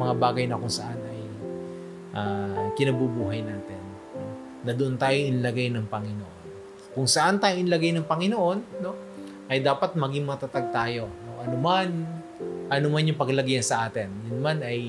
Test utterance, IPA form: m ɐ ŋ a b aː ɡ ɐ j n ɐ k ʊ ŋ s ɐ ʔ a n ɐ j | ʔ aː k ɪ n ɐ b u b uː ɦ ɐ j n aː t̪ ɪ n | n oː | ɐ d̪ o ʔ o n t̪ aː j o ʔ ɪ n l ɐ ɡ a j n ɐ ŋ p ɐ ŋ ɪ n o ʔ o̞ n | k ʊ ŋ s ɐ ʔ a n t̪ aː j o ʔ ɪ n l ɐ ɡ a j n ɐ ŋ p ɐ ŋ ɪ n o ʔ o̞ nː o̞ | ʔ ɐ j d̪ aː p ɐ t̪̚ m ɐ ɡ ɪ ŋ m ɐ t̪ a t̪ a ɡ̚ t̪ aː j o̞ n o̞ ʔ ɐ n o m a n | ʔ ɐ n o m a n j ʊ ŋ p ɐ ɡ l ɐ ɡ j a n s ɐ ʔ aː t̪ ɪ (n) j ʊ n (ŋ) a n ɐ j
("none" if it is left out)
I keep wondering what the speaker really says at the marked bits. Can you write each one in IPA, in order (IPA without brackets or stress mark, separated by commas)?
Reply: n, m